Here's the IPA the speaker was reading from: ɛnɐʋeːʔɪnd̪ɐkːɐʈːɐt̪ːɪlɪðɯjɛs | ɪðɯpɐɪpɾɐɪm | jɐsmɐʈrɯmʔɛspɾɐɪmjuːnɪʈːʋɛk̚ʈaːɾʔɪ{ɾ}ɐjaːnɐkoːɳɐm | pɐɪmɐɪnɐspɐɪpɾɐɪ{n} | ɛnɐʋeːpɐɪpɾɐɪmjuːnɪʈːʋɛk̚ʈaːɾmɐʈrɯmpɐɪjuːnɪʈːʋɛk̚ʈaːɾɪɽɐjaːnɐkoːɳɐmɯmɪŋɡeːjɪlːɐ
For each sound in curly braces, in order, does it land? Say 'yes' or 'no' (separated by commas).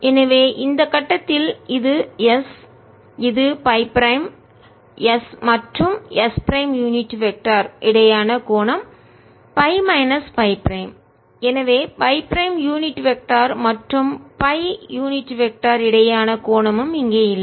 no, no